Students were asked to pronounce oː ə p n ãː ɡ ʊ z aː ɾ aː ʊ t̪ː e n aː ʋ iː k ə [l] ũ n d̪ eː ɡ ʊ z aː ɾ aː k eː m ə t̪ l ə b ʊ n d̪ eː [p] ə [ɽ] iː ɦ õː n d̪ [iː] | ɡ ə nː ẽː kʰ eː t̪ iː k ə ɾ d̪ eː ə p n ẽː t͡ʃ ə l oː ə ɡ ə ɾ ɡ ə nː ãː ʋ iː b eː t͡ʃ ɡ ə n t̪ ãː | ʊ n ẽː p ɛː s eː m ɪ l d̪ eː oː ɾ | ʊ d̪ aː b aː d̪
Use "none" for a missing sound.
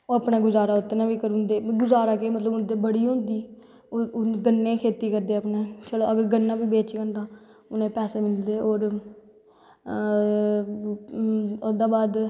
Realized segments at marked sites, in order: ɾ, b, ɽ, iː

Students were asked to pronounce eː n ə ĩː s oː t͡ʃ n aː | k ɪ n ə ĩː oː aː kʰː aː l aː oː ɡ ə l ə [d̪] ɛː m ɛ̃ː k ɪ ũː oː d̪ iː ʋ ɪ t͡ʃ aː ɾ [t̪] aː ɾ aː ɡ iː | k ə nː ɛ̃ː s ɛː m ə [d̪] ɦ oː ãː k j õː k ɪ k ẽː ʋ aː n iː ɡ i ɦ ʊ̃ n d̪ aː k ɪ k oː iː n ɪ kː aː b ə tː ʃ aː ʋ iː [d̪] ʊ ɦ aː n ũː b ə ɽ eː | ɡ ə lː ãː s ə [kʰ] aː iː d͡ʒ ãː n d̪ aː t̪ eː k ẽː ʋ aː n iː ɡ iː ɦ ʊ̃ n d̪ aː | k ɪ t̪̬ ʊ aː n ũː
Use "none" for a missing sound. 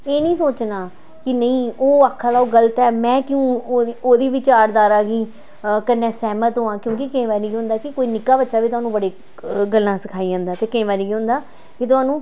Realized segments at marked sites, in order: t̪, d̪, t̪, t̪, kʰ

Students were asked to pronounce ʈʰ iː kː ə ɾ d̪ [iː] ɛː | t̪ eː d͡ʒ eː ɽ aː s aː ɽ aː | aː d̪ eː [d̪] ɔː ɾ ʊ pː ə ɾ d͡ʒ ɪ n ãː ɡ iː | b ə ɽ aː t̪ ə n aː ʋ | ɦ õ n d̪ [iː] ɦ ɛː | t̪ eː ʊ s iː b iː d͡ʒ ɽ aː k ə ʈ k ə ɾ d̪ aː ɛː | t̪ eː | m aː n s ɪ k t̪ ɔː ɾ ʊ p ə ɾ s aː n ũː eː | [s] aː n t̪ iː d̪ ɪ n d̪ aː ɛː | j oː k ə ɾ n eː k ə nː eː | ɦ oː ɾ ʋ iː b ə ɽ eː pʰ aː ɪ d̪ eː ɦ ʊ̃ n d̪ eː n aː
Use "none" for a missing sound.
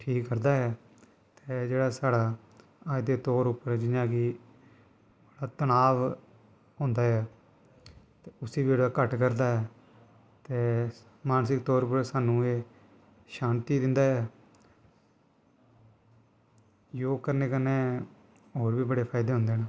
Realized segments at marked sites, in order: aː, t̪, aː, ʃ

